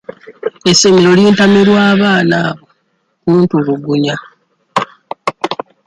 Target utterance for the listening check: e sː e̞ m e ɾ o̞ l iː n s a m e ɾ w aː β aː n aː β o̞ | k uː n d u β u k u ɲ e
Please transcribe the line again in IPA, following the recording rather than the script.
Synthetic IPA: e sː e̞ m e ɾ o̞ l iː n t a m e ɾ w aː β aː n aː β o̞ | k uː n t u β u ɡ u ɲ a